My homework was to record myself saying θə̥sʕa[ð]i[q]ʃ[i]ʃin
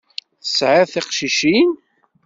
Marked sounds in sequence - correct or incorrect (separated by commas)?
incorrect, correct, correct